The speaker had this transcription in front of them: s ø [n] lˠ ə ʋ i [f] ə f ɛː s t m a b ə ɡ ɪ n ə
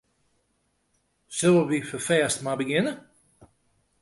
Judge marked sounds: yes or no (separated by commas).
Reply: no, yes